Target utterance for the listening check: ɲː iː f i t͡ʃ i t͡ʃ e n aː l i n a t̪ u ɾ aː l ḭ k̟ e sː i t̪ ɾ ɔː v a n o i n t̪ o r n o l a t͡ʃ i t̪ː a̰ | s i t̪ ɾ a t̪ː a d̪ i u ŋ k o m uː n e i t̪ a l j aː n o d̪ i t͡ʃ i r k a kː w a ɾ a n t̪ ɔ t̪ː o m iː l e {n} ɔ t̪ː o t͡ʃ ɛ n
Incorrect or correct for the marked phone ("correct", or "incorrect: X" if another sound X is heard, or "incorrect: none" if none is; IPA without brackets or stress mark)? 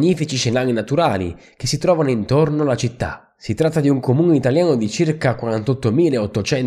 incorrect: none